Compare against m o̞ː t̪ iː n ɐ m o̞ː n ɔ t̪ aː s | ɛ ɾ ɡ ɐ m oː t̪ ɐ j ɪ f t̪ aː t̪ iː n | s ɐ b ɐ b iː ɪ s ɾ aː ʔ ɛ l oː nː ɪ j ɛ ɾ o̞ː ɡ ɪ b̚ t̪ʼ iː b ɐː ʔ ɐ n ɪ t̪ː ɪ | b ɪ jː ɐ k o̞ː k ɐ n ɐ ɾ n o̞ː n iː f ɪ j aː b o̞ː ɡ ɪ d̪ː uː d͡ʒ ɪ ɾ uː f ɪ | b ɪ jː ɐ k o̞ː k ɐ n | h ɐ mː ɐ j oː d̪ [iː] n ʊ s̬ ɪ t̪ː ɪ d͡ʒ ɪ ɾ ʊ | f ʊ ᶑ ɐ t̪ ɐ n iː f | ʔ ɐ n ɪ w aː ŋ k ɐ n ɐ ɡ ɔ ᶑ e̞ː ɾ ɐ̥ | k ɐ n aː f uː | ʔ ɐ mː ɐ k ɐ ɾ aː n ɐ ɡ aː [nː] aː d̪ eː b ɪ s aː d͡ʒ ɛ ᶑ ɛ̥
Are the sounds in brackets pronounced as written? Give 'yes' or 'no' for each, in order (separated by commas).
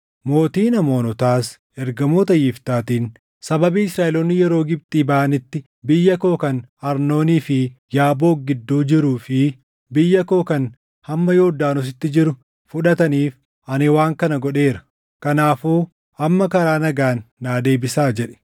no, yes